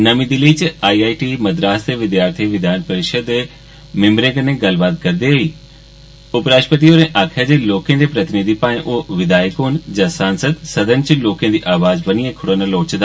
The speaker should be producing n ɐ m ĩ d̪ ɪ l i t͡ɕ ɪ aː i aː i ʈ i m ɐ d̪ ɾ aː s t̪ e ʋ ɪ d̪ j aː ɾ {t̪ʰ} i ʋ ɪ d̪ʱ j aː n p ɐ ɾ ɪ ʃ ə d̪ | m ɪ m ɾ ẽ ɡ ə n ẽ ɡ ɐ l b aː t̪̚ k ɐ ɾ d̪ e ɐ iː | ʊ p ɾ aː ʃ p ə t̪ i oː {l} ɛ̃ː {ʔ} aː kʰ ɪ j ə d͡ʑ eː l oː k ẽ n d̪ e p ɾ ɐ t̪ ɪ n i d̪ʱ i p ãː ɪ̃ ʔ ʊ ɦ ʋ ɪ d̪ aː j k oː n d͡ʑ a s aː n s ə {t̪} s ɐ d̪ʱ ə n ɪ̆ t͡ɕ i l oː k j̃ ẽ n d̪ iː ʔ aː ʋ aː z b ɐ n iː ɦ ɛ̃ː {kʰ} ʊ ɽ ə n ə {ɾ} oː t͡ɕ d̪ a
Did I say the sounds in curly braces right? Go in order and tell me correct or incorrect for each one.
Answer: correct, incorrect: ɾ, correct, incorrect: d̪, correct, incorrect: l

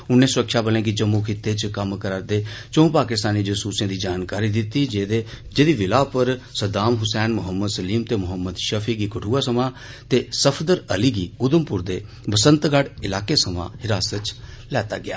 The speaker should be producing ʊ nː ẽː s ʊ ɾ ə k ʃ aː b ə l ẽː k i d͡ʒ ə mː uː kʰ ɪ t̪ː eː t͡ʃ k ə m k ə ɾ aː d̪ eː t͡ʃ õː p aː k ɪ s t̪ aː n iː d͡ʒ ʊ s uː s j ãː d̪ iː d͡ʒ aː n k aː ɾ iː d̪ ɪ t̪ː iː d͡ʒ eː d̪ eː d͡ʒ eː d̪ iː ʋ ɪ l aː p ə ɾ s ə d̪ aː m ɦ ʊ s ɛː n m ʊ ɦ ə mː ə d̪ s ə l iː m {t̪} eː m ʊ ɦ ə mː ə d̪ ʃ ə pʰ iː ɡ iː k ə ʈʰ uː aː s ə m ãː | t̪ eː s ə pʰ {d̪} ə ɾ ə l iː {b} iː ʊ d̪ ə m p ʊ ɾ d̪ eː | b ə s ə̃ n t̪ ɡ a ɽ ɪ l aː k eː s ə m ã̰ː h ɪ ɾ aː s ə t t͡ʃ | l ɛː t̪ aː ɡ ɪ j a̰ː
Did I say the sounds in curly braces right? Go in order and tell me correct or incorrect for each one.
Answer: correct, correct, incorrect: ɡ

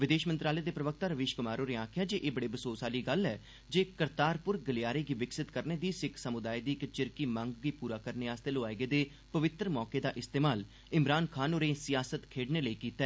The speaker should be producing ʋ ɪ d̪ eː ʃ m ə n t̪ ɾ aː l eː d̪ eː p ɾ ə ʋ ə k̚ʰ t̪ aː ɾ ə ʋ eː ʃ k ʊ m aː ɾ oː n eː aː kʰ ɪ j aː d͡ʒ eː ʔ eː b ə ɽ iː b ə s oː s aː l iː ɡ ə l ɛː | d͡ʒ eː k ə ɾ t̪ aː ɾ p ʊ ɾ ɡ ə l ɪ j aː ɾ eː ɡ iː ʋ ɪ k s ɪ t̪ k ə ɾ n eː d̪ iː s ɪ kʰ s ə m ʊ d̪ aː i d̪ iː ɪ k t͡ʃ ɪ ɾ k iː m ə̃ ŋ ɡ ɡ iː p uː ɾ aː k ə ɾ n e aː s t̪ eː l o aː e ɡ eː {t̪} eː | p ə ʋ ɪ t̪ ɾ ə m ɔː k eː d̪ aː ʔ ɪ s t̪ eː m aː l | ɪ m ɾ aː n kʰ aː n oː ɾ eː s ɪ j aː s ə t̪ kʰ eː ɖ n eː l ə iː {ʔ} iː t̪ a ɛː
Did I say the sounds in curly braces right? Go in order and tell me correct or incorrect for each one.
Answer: incorrect: d̪, incorrect: k

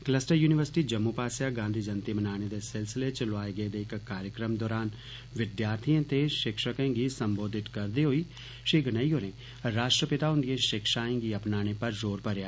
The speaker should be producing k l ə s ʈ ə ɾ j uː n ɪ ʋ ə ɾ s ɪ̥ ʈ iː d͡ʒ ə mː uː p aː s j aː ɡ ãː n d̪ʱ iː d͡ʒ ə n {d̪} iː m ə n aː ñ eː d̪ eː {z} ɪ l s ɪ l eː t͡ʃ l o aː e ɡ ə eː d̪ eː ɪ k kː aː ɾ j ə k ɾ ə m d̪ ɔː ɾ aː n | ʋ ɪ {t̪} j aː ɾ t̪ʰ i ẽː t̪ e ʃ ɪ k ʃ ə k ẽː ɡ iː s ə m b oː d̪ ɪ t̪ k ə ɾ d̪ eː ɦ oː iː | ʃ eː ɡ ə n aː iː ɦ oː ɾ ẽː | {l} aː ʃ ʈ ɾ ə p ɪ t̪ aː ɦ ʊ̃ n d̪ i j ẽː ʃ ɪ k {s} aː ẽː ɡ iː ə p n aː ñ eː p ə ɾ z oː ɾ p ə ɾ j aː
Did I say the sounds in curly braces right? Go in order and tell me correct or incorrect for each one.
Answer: incorrect: t̪, incorrect: s, incorrect: d̪, incorrect: ɾ, incorrect: ʃ

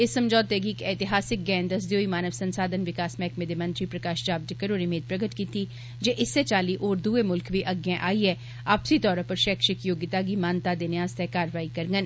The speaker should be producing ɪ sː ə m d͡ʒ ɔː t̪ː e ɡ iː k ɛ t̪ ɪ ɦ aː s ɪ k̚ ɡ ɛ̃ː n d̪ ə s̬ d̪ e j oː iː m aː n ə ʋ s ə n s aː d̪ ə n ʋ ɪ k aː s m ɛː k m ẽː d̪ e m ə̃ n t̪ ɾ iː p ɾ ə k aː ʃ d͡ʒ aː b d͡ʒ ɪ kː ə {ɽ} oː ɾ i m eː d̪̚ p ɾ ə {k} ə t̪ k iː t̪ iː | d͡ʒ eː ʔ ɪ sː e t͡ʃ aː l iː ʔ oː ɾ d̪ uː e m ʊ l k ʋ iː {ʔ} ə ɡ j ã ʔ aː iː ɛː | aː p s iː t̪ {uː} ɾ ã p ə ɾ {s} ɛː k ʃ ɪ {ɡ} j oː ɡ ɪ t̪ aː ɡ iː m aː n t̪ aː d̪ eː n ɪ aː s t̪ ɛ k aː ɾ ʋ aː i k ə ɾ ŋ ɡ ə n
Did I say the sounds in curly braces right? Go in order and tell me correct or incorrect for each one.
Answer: incorrect: ɾ, incorrect: ɡ, correct, incorrect: ɔː, incorrect: ʃ, incorrect: k

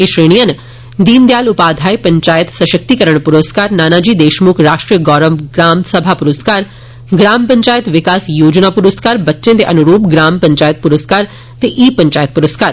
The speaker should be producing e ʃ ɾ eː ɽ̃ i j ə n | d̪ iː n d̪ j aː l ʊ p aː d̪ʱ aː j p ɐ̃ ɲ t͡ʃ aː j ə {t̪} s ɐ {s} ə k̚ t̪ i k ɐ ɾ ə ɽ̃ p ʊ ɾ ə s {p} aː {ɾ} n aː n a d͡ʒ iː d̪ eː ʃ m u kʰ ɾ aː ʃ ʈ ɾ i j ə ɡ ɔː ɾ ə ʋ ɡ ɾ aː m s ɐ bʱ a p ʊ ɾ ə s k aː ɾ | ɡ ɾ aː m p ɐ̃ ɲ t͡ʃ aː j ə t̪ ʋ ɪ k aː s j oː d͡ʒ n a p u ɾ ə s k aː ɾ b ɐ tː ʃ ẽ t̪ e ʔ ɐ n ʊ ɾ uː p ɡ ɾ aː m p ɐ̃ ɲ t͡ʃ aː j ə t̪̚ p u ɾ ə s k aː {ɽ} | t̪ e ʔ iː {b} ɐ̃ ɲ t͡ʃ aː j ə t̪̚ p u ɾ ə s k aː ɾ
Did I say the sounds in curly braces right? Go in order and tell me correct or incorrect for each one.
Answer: correct, incorrect: ʃ, incorrect: k, correct, incorrect: ɾ, incorrect: p

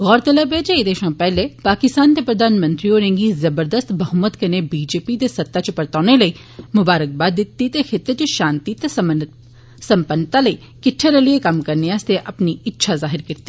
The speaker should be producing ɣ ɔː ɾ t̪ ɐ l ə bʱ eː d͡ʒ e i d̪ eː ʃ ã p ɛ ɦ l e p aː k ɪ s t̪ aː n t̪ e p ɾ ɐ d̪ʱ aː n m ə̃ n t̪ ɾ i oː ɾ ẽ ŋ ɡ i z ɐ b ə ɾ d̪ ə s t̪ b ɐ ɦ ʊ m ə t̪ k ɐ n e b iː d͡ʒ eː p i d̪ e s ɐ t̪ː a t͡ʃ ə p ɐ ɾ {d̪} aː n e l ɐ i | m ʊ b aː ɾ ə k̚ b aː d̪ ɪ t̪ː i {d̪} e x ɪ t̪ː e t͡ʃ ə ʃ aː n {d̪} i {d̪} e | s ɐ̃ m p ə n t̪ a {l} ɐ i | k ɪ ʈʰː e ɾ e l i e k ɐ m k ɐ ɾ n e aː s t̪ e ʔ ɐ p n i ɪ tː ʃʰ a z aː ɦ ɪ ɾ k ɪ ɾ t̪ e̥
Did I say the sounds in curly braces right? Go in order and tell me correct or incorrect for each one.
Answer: incorrect: t̪, incorrect: t̪, incorrect: t̪, incorrect: t̪, correct

